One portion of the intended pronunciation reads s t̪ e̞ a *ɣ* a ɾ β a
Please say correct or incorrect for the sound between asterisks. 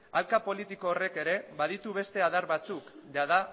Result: incorrect